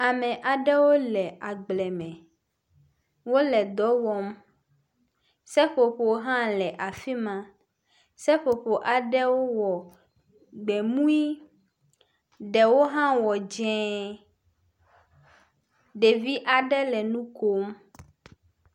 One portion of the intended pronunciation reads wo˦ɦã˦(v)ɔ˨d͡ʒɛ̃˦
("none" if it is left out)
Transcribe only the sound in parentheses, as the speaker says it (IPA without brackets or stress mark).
w